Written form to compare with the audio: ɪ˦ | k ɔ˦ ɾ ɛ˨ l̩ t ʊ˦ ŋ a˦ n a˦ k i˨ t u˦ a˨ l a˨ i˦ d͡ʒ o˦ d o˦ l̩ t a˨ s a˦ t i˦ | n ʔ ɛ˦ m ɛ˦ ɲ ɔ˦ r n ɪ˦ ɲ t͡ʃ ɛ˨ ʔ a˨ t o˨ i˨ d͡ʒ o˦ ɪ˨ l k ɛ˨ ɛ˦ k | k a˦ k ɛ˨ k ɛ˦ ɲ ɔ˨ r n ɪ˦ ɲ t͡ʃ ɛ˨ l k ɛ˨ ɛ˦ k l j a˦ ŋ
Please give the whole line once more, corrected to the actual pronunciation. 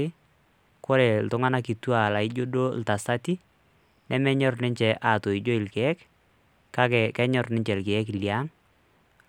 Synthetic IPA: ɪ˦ | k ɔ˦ ɾ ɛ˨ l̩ t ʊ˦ ŋ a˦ n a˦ k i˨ t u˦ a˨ l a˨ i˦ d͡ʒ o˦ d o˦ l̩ t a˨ s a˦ t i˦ | n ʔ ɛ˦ m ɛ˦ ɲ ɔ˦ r n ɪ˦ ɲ t͡ʃ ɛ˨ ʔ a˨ t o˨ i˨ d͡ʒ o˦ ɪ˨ l k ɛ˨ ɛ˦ k | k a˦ k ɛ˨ k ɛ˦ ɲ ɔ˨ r n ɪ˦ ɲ t͡ʃ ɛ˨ l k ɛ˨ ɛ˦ k l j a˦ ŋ